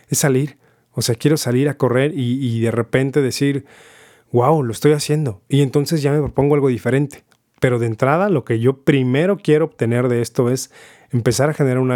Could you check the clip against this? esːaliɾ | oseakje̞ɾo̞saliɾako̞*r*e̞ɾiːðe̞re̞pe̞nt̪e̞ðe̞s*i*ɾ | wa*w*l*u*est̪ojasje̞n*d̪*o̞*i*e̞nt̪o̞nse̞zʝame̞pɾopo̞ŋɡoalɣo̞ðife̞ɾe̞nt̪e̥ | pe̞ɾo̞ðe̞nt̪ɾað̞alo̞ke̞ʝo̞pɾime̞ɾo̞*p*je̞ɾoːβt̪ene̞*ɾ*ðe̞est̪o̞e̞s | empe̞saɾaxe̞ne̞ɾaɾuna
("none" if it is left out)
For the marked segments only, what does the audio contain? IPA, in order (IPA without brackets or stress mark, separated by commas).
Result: r, i, w, o, d̪, i, k, ɾ